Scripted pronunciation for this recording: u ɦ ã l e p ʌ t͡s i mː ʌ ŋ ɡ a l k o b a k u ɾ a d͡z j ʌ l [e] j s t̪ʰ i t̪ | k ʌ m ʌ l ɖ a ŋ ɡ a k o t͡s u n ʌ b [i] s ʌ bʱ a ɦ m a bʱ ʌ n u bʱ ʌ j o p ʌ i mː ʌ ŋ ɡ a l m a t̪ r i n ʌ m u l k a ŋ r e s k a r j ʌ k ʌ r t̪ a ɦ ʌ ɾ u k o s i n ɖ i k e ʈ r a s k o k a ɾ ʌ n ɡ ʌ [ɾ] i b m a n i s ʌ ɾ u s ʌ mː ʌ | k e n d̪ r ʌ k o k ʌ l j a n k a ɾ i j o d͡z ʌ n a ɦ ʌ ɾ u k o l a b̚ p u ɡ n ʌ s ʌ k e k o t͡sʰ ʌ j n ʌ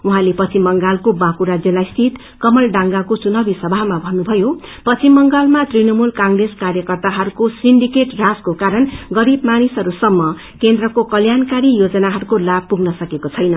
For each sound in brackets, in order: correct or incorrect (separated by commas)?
incorrect, correct, correct